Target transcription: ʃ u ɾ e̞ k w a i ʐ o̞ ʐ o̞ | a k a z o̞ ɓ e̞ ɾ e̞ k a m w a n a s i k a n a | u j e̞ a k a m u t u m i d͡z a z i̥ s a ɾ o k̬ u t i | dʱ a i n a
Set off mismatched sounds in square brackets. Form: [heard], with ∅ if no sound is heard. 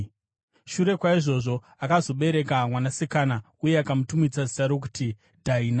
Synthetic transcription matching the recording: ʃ u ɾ e̞ k w a i ʐ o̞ ʐ o̞ | a k a z o̞ ɓ e̞ ɾ e̞ k a m w a n a s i k a n a | u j e̞ a k a m u t u m i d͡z a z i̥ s a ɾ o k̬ u t i | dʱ a i n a

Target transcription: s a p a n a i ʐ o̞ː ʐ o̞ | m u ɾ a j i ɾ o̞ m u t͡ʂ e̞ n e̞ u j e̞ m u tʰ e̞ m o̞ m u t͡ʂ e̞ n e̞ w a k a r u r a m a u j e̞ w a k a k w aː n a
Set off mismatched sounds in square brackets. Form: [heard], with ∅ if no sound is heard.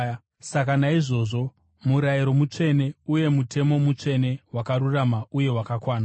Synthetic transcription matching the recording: s a [k] a n a i ʐ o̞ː ʐ o̞ | m u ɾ a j i ɾ o̞ m u t͡ʂ e̞ n e̞ u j e̞ m u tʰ e̞ m o̞ m u t͡ʂ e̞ n e̞ w a k a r u r a m a u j e̞ w a k a k w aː n a

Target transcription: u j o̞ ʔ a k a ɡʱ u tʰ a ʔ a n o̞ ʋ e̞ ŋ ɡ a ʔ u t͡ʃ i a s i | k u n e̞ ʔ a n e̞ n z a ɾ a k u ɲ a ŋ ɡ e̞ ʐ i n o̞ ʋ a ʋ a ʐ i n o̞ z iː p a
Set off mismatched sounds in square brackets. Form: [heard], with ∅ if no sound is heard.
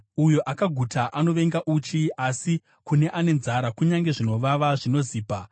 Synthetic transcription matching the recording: u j o̞ ʔ a k a ɡʱ u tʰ a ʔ a n o̞ ʋ e̞ ŋ ɡ a ʔ u t͡ʃ i a s i | k u n e̞ ʔ a n e̞ n z a ɾ a k u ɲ a ŋ ɡ e̞ ʐ i n o̞ ʋ a ʋ a ʐ i n o̞ z iː p a

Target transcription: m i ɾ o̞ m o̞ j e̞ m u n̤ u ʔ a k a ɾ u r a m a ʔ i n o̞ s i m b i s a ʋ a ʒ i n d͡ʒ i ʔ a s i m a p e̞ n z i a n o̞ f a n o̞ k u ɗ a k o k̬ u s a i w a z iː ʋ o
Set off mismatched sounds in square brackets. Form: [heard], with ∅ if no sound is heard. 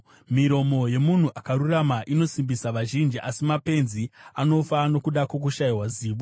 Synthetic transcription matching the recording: m i ɾ o̞ m o̞ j e̞ m u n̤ u ʔ a k a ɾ u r a m a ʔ i n o̞ s i m b i s a ʋ a ʒ i n d͡ʒ i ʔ a s i m a p e̞ n z i a n o̞ f a n o̞ k u ɗ a k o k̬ u [ʃ] a i w a z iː ʋ o

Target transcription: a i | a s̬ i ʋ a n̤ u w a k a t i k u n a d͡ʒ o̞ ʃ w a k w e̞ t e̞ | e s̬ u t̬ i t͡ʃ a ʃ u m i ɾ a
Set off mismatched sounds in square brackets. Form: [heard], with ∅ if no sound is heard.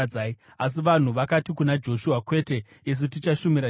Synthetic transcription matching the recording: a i | a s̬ i ʋ a n̤ u [ʋ] a k a t i k u n a d͡ʒ o̞ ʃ [u] a k w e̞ t e̞ | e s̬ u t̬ i t͡ʃ a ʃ u m i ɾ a

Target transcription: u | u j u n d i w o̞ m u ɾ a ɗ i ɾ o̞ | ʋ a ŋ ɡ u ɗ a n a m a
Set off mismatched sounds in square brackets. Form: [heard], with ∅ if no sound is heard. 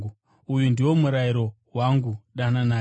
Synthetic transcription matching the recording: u | u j u n d i w o̞ m u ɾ a [∅] i ɾ o̞ | [w] a ŋ ɡ u ɗ a n a [n] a

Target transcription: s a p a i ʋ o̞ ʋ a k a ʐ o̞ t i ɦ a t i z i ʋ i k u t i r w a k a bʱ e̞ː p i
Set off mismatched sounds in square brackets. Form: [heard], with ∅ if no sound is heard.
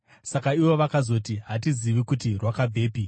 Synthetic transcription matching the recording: s a [k] a i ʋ o̞ ʋ a k a [z] o̞ t i ɦ a t i z i ʋ i k u t i r w a k a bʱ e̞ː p i

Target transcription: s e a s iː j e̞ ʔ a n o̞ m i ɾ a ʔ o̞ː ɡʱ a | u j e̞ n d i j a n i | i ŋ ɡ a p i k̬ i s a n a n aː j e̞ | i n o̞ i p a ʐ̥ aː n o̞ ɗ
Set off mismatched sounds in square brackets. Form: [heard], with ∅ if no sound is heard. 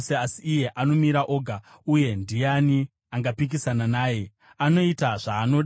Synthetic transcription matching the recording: s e a s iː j e̞ ʔ a n o̞ m i ɾ a ʔ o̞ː ɡʱ a | u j e̞ n d i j a n i | [a] ŋ ɡ a p i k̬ i s a n a n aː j e̞ | [a] n o̞ i [t] a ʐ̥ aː n o̞ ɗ

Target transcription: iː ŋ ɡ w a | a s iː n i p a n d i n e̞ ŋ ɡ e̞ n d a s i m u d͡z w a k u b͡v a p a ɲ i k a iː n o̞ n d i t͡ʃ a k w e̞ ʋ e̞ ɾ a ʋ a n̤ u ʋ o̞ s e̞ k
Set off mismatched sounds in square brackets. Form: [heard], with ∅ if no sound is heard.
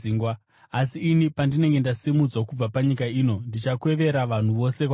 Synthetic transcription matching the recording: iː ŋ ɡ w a | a s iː n i p a n d i n e̞ ŋ ɡ e̞ n d a s i m u d͡z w a k u b͡v a p a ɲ i k a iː n o̞ n d i t͡ʃ a k w e̞ ʋ e̞ ɾ a ʋ a n̤ u ʋ o̞ s e̞ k

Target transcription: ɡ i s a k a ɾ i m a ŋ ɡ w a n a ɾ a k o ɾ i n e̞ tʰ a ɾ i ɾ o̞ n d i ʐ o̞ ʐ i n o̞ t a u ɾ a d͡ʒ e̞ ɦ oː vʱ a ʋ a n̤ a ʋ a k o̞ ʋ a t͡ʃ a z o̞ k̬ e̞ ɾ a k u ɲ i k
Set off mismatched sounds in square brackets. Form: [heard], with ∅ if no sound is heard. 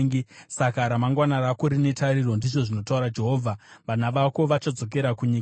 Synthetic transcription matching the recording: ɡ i s a k a ɾ [a] m a ŋ ɡ w a n a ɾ a k o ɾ i n e̞ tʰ a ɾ i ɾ o̞ n d i ʐ o̞ ʐ i n o̞ t a u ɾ a d͡ʒ e̞ ɦ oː vʱ a ʋ a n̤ a ʋ a k o̞ ʋ a t͡ʃ a [d͡z] o̞ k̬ e̞ ɾ a k u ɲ i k

